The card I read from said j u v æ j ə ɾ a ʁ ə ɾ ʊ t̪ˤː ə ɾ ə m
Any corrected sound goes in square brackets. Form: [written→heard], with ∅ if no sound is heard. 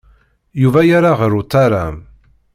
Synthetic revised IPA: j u v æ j [ə→a] ɾ a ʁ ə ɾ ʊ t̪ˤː [ə→a] ɾ [ə→a] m